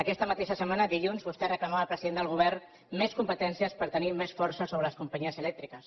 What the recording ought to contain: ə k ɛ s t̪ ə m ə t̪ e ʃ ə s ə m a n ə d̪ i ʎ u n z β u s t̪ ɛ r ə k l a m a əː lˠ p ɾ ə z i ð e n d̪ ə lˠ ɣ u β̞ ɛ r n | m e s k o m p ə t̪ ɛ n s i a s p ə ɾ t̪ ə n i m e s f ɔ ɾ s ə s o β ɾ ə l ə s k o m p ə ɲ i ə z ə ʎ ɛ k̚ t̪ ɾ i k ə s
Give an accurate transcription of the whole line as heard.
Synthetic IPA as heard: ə k ɛ s t̪ ə m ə t̪ e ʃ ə s ə m a n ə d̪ i ʎ u n z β u s t̪ ɛ r ə k l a m a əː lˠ p ɾ ə z i ð e n d̪ ə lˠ ɣ u β̞ ɛ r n | m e s k u m p ə t̪ ɛ n s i ə s p ə ɾ t̪ ə n i m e s f ɔ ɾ s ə s o β ɾ ə l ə s k u m p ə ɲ i ə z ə l ɛ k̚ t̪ ɾ i k ə s